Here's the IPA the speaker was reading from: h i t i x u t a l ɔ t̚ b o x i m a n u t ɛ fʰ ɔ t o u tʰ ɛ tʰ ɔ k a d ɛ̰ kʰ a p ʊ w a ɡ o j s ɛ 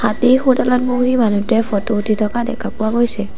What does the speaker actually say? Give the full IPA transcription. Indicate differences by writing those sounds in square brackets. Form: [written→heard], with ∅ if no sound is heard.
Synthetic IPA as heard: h [i→a] t i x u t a l ɔ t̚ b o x i m a n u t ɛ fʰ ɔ t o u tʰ [ɛ→i] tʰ ɔ k a d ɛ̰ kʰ a p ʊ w a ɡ o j s ɛ